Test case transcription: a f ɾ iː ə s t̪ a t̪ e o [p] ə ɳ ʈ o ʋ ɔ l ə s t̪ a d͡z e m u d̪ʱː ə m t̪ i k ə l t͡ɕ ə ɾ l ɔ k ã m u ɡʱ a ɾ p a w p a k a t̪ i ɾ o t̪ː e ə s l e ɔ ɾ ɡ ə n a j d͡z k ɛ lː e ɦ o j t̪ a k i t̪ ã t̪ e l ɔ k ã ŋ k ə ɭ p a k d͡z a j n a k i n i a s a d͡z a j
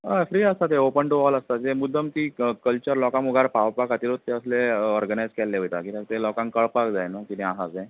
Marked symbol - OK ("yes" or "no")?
yes